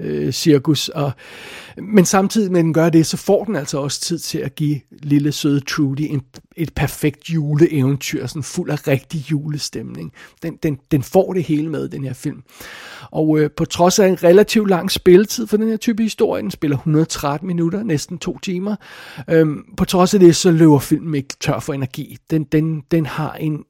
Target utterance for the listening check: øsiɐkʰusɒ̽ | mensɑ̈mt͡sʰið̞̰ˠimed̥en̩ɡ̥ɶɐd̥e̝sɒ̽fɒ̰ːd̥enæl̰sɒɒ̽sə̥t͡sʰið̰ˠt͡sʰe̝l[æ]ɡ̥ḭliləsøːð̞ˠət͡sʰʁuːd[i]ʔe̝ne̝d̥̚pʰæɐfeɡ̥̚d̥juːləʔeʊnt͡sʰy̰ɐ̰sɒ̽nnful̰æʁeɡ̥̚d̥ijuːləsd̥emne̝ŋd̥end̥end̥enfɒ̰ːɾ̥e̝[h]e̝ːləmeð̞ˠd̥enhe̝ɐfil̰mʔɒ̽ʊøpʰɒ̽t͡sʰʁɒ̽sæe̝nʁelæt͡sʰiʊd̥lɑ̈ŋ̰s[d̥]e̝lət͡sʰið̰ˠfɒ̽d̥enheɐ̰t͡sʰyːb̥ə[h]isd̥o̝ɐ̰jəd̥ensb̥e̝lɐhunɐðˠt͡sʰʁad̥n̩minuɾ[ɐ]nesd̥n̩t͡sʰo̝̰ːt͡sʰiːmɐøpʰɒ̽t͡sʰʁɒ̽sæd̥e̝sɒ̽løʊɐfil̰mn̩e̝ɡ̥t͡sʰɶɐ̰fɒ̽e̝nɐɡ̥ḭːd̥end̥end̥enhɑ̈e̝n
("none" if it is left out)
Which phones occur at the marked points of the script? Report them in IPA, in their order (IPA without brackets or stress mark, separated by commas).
æ, i, h, b̥, h, ɐ